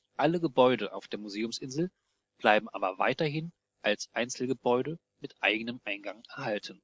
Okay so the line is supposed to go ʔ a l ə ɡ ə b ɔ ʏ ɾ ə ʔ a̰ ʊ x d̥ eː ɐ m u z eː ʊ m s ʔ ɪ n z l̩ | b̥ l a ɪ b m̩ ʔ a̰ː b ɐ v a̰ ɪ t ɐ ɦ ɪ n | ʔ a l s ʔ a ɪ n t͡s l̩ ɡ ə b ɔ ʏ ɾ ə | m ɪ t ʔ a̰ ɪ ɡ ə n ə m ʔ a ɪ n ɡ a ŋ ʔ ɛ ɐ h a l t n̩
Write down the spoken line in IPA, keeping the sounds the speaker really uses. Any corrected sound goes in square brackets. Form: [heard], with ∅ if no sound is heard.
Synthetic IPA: ʔ a l ə ɡ ə b ɔ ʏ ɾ ə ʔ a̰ ʊ [f] d̥ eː ɐ m u z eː ʊ m s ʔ ɪ n z l̩ | b̥ l a ɪ b m̩ ʔ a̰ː b ɐ v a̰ ɪ t ɐ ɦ ɪ n | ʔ a l s ʔ a ɪ n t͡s l̩ ɡ ə b ɔ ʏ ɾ ə | m ɪ t ʔ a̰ ɪ ɡ ə n ə m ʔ a ɪ n ɡ a ŋ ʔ ɛ ɐ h a l t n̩